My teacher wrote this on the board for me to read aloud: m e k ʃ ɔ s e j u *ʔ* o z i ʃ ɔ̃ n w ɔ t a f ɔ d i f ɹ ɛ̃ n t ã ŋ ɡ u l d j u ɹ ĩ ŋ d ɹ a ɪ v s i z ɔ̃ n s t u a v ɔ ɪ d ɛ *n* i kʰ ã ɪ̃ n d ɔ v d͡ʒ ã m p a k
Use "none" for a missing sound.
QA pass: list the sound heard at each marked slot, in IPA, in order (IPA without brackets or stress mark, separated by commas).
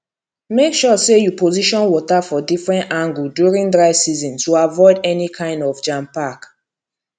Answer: p, n